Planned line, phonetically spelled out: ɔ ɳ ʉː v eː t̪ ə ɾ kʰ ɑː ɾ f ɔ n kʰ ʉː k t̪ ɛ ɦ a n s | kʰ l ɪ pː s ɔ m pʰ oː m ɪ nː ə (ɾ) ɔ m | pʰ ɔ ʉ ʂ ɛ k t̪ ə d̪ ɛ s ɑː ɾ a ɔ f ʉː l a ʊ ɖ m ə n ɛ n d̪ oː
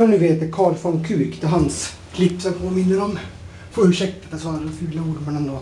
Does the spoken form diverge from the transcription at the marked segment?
no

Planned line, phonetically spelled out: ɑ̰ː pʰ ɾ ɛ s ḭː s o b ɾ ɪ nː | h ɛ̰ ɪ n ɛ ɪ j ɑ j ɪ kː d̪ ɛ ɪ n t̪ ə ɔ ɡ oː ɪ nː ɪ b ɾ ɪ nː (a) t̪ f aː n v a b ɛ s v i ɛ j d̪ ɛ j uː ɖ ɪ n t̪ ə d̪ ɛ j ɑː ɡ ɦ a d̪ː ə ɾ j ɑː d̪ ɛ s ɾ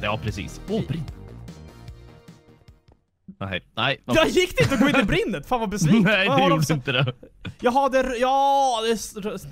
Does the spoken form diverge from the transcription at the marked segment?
yes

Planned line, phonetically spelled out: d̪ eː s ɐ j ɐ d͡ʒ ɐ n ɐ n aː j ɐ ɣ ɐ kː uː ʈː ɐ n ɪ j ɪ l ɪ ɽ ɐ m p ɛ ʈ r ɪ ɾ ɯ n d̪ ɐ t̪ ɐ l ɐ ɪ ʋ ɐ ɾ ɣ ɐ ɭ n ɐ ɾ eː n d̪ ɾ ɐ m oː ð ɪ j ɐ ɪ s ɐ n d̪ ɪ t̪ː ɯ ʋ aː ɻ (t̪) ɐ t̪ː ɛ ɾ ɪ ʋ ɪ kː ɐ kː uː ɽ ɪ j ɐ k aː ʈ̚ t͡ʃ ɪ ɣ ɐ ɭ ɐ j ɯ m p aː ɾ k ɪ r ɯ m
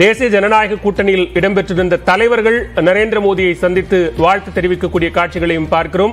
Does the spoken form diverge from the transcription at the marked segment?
no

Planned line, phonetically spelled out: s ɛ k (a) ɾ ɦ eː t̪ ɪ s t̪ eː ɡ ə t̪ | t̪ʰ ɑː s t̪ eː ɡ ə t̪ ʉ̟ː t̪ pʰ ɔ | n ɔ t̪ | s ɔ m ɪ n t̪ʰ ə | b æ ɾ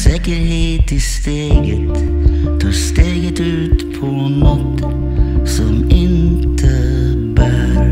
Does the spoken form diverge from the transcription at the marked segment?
yes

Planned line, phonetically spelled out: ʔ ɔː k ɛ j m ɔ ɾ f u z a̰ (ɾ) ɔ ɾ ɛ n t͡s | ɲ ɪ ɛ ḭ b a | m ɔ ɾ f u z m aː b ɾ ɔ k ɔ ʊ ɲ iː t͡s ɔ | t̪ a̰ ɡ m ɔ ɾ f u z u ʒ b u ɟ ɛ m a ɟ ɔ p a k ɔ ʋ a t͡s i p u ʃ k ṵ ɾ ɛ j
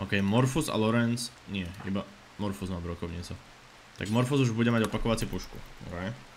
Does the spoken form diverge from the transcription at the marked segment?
yes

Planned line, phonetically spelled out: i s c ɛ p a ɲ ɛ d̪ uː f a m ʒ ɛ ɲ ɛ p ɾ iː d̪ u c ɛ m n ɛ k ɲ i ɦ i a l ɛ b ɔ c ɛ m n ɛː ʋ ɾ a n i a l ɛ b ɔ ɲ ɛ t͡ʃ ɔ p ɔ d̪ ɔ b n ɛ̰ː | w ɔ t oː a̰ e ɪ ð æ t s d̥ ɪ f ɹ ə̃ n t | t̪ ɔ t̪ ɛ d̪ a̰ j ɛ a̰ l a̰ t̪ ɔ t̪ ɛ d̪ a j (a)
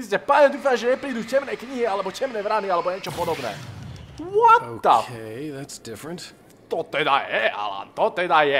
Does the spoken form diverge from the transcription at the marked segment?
yes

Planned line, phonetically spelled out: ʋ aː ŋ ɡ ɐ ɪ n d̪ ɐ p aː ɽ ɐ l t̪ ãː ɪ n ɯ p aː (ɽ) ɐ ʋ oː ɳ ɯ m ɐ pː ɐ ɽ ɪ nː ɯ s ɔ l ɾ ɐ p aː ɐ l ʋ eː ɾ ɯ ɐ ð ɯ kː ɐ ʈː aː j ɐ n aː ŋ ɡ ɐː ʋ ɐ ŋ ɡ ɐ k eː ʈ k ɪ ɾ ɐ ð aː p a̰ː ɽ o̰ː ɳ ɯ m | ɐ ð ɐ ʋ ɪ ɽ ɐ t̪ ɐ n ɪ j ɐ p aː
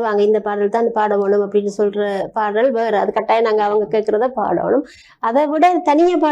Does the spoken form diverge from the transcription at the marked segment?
no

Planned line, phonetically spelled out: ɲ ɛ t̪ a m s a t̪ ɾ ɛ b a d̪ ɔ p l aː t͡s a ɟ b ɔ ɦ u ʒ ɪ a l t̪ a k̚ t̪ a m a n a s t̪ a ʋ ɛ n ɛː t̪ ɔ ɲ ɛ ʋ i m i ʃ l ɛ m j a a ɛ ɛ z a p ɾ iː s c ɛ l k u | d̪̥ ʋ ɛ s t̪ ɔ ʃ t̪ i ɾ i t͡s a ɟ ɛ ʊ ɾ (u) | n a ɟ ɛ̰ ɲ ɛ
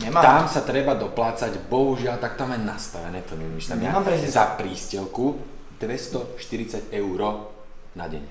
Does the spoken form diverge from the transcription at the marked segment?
yes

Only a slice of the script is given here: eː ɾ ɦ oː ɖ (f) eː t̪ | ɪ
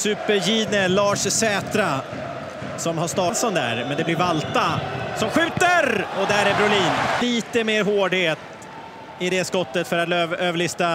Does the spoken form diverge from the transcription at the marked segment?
yes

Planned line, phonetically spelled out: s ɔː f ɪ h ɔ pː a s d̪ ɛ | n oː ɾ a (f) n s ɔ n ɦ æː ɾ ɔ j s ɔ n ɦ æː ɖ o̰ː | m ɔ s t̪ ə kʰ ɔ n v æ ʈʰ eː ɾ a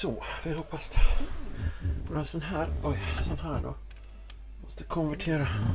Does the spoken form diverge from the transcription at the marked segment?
yes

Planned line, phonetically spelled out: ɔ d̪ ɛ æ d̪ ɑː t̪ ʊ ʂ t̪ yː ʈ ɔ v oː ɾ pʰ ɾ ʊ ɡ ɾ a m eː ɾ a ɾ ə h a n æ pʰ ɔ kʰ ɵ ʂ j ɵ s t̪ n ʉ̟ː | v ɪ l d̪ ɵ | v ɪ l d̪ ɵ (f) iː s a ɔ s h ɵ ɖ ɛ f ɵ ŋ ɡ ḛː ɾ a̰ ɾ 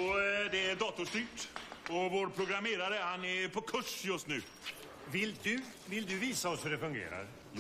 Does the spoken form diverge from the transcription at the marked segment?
yes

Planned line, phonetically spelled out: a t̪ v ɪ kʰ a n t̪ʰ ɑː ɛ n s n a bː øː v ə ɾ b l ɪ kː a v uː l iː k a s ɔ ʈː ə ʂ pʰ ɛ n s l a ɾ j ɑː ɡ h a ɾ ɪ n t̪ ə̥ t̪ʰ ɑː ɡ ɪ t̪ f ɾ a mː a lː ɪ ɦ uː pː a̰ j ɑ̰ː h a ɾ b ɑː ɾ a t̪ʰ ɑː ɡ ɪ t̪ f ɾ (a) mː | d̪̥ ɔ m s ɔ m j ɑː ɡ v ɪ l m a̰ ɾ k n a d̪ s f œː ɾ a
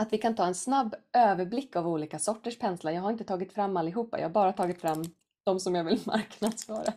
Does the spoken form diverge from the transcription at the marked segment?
no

